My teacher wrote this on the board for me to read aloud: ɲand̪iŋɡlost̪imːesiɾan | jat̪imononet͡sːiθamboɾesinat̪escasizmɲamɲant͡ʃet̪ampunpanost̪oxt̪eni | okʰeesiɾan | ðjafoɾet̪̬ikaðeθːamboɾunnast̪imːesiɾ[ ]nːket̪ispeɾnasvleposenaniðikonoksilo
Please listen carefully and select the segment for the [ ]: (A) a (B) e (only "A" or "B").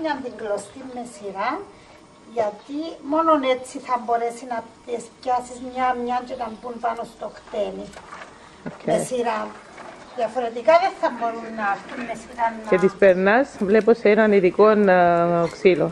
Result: A